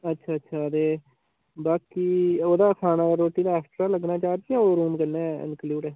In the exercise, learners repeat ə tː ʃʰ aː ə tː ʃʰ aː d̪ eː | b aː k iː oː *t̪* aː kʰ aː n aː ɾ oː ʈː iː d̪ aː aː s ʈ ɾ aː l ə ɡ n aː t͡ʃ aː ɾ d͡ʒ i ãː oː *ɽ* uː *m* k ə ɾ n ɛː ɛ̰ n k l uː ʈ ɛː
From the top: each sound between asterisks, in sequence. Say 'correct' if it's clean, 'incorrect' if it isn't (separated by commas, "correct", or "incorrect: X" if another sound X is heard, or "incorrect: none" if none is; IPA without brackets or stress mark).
incorrect: d̪, incorrect: ɾ, correct